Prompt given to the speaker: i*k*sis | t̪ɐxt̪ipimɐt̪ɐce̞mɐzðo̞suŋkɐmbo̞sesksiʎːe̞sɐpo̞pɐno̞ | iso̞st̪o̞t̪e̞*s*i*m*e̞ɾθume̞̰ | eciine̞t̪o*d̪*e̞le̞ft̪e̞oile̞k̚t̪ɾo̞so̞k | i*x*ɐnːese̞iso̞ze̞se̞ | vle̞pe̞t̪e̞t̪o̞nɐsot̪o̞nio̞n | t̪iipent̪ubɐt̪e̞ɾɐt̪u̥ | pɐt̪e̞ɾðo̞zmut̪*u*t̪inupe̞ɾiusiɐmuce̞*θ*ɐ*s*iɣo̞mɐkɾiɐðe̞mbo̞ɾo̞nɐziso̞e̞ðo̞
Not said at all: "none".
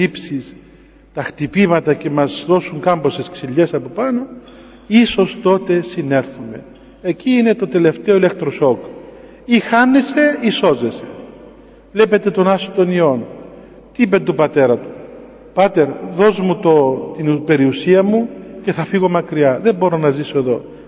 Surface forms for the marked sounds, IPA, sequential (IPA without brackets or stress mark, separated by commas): p, s, n, t̪, x, o, θ, f